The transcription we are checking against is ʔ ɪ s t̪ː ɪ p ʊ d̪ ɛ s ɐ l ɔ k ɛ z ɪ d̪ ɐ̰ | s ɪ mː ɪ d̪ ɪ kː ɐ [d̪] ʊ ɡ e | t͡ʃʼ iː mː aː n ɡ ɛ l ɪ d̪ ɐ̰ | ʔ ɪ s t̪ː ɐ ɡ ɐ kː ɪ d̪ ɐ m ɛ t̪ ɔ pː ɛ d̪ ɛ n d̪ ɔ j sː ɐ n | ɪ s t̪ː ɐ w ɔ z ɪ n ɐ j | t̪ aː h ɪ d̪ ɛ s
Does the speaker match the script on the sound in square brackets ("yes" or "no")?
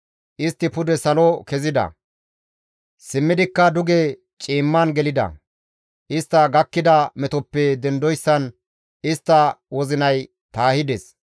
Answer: yes